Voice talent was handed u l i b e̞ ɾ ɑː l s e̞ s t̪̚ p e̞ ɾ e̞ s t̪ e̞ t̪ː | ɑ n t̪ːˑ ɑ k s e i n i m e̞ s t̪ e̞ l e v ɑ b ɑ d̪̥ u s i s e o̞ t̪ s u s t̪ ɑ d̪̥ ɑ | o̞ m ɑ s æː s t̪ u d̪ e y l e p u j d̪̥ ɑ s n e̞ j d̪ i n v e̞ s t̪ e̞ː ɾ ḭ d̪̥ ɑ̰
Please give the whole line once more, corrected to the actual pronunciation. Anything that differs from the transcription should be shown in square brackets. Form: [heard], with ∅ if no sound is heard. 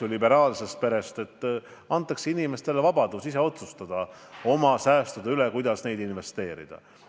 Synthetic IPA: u l i b e̞ ɾ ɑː l s e̞ s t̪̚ p e̞ ɾ e̞ s t̪ e̞ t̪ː | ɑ n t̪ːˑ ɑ k s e i n i m e̞ s t̪ e̞ l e v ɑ b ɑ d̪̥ u s i s e o̞ t̪ s u s t̪ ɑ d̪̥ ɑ | o̞ m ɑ s æː s t̪ u d̪ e y l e [k] u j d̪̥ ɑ s n e̞ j d̪ i n v e̞ s t̪ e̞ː ɾ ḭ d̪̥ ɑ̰